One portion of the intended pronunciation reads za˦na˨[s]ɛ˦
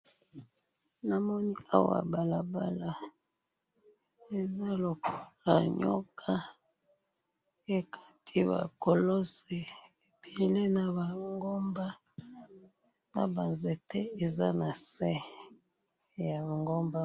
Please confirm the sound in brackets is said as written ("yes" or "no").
yes